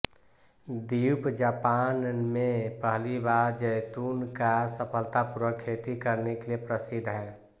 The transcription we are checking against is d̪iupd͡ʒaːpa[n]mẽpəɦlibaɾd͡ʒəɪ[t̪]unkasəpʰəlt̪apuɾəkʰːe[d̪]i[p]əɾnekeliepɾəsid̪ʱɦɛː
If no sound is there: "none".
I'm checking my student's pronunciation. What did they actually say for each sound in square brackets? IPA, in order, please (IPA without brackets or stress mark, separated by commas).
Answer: n, t̪, t̪, k